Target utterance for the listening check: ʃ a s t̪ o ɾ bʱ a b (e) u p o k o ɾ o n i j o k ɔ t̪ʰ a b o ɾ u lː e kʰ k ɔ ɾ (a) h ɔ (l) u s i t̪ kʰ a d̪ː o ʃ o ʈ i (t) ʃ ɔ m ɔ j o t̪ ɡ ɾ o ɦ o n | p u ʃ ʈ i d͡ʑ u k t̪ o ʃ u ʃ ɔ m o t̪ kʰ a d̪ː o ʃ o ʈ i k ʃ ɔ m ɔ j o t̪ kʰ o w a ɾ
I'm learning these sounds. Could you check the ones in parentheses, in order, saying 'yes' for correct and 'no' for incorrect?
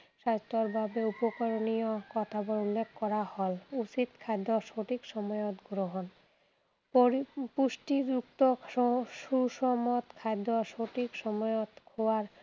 yes, yes, yes, no

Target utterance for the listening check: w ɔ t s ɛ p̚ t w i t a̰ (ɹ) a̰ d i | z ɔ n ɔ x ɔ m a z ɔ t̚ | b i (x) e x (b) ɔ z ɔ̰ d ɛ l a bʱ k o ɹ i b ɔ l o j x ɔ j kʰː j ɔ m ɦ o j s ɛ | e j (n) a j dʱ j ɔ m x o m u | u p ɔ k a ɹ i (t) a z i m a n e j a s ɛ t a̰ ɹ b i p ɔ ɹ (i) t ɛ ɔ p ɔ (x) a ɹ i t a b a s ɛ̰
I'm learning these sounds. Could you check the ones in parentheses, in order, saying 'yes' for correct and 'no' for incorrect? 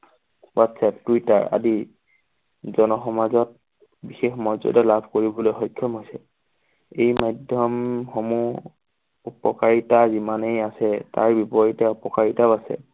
yes, yes, no, no, yes, yes, no

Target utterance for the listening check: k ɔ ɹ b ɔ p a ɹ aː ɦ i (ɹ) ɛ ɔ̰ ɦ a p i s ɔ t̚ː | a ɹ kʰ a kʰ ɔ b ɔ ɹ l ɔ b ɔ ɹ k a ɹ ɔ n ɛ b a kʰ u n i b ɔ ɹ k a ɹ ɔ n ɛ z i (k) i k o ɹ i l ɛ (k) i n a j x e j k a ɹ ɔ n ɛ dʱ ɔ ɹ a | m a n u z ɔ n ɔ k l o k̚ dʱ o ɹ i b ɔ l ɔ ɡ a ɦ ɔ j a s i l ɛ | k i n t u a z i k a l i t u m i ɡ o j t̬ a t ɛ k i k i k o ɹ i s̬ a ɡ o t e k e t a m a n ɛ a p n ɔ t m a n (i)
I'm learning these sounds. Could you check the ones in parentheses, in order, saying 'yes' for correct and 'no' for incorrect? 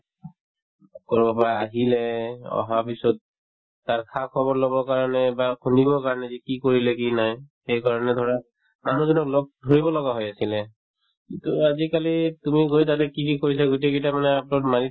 no, yes, yes, yes

